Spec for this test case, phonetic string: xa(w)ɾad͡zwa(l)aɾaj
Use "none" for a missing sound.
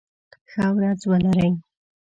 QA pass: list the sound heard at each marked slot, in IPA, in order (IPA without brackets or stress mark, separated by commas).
w, l